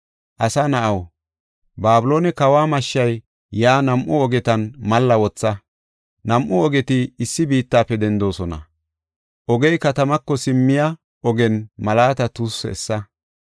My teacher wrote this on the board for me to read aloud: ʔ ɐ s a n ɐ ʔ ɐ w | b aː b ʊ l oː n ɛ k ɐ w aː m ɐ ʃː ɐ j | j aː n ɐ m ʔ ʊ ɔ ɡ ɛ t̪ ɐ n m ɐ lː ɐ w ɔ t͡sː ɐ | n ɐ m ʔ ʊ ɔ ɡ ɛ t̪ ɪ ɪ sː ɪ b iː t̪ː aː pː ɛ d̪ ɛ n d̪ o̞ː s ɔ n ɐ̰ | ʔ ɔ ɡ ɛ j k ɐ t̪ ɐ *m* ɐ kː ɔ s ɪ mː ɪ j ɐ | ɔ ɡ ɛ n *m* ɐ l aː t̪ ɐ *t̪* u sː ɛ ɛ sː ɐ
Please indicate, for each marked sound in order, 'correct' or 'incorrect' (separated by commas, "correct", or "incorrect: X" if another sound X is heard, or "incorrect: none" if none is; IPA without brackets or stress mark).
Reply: correct, correct, correct